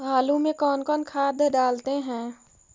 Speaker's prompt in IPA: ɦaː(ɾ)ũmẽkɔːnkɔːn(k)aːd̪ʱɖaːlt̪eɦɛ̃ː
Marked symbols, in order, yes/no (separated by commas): no, no